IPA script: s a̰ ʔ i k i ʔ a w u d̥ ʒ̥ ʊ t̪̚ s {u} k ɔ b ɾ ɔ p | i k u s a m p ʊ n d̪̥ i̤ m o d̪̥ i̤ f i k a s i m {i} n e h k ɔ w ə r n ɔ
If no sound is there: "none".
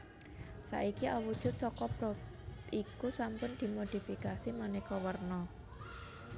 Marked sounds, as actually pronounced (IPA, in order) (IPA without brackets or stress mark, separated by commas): ɔ, a